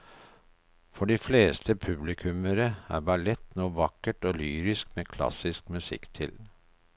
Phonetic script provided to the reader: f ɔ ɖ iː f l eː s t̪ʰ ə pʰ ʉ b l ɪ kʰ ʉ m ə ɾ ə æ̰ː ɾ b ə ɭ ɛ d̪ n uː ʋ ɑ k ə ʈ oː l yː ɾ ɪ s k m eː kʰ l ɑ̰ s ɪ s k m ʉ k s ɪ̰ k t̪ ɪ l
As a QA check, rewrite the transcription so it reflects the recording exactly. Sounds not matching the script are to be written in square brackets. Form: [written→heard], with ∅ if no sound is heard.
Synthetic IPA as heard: f ɔ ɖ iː f l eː s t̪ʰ ə pʰ ʉ b l ɪ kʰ ʉ m ə ɾ ə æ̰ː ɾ b [ə→ɑ] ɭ ɛ [d̪→t̪] n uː ʋ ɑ k ə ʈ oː l yː ɾ ɪ s k m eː kʰ l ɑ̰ s ɪ s k m ʉ [k→∅] s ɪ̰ k [t̪→t̪ʰ] ɪ l